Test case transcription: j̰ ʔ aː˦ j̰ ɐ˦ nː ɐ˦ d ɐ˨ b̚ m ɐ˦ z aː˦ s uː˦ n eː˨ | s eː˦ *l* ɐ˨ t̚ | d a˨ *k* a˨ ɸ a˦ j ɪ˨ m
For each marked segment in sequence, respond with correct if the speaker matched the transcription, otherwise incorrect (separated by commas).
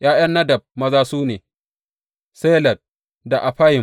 correct, incorrect